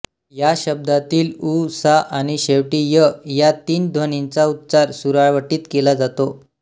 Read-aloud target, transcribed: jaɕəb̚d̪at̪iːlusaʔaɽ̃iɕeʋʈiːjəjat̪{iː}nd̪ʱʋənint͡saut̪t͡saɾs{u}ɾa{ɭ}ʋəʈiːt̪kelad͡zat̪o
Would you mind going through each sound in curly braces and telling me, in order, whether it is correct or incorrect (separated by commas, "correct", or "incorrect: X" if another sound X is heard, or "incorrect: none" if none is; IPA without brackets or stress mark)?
correct, correct, correct